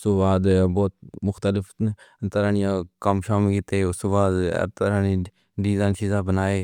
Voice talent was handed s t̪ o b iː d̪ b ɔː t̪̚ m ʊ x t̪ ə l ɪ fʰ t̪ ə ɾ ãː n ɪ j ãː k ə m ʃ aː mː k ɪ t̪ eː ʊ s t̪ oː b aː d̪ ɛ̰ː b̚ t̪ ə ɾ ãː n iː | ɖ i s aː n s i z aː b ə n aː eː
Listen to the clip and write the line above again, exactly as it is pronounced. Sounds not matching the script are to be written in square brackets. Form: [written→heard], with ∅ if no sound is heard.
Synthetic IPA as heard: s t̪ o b [iː→aː] d̪ b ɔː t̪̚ m ʊ x t̪ ə l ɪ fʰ t̪ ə ɾ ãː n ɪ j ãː k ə m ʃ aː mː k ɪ t̪ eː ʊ s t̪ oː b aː d̪ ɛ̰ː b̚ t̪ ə ɾ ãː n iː | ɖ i [s→z] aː n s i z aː b ə n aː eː